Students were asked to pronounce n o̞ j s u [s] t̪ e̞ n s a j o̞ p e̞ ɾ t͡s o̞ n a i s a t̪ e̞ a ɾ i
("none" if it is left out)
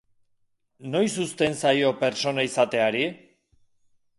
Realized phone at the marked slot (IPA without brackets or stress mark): s